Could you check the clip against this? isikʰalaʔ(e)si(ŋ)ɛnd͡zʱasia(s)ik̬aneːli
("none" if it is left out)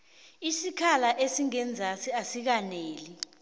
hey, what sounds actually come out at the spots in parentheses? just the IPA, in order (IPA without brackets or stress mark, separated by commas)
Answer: e, ŋ, s